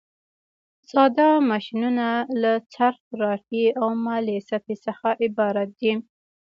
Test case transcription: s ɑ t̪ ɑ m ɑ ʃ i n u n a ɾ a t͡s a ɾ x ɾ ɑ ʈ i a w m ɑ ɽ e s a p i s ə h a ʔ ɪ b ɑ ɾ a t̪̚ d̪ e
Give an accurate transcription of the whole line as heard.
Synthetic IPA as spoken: s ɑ d̪ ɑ m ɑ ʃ i n u n a l a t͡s a ɾ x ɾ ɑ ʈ i a w m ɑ l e s a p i s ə x a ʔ ɪ b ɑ ɾ a t̪̚ d̪ i